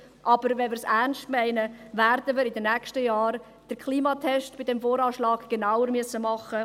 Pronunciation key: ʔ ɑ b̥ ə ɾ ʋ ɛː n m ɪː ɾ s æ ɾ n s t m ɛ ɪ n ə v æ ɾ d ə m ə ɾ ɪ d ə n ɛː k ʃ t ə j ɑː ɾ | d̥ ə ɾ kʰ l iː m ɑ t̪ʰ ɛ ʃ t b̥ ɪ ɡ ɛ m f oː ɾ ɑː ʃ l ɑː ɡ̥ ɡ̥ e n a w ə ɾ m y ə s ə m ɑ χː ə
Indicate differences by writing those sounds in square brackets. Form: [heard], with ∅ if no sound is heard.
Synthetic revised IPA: ʔ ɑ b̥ ə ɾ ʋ [ɛ] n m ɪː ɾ s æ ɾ n s t m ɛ ɪ n ə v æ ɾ d ə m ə ɾ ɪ d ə n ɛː k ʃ t ə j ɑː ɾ | d̥ ə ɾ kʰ l iː m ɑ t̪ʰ ɛ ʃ t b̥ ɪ [d] ɛ m f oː ɾ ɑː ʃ l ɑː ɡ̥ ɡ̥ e n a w ə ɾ m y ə s ə m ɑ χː ə